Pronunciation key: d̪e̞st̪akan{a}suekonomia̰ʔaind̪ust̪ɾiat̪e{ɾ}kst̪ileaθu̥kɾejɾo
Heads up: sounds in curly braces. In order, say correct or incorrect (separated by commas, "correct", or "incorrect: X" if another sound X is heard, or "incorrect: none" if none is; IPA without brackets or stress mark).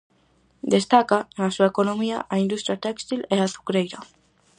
correct, incorrect: none